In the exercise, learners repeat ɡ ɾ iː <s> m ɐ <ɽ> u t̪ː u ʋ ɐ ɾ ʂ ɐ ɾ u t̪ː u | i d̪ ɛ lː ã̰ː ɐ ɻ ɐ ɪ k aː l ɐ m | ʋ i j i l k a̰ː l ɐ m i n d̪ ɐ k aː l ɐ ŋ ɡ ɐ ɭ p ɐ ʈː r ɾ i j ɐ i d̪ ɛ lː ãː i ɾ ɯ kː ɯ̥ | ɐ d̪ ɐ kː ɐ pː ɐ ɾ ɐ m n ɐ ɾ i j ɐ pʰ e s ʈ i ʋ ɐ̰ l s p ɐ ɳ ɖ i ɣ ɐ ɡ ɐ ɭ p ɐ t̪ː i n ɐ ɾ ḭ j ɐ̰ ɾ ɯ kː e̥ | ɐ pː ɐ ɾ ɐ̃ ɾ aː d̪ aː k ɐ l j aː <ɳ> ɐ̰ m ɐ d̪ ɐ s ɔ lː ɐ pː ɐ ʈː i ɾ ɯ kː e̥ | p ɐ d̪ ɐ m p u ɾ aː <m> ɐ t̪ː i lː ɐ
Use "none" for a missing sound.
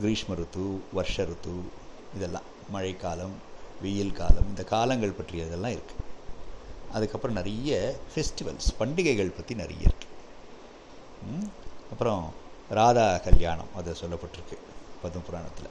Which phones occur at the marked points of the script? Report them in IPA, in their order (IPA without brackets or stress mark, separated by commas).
ʂ, ɾ, ɳ, ɳ